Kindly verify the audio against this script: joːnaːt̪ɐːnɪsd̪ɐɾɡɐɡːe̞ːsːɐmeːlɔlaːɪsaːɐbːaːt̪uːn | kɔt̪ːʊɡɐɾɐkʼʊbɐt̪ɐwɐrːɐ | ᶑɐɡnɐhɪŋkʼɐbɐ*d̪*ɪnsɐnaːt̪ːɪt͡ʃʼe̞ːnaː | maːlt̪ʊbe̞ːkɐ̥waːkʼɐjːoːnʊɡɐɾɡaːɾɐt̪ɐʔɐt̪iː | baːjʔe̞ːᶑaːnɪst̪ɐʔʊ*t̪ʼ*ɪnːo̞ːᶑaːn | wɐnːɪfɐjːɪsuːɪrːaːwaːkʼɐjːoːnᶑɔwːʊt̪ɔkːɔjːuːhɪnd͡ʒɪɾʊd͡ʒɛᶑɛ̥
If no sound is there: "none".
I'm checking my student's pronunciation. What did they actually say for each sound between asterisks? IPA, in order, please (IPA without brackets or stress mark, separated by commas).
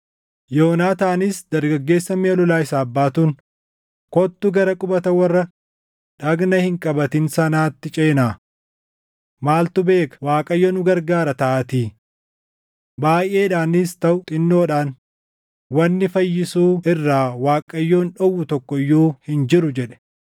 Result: t̪, t̪ʼ